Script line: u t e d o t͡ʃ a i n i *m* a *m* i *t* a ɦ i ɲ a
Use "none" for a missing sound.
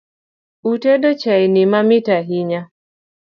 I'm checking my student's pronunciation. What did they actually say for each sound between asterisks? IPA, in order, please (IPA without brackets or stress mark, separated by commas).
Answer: m, m, t